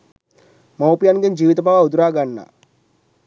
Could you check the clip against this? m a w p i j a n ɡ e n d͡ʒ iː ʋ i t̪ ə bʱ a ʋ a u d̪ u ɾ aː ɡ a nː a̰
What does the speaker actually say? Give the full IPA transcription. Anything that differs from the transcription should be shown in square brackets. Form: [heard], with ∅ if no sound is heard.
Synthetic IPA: m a w p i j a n ɡ e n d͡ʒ iː ʋ i t̪ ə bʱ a ʋ a u d̪ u ɾ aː ɡ a nː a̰